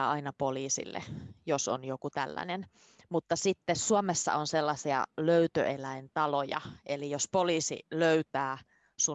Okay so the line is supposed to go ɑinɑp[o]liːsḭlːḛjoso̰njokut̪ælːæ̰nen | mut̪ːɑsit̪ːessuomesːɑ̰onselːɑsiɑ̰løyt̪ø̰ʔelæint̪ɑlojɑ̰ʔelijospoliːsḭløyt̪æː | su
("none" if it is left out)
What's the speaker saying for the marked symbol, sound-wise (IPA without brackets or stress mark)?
o